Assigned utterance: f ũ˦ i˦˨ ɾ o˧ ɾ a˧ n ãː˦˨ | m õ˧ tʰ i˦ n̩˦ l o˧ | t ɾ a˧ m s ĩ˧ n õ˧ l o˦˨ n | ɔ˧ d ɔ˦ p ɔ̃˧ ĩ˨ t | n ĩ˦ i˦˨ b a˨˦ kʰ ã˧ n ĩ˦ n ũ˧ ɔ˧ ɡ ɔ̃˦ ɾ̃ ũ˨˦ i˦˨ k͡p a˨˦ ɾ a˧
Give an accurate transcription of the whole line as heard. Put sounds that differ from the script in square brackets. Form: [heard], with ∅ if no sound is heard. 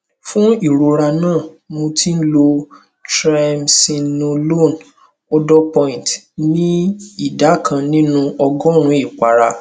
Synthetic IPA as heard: f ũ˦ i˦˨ ɾ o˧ ɾ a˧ n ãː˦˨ | m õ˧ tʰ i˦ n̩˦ l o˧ | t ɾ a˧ m s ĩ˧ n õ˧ l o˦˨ n | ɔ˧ d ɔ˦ p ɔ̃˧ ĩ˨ t | n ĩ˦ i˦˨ [d] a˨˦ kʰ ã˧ n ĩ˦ n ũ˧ ɔ˧ ɡ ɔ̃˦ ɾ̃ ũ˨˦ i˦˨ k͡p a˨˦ ɾ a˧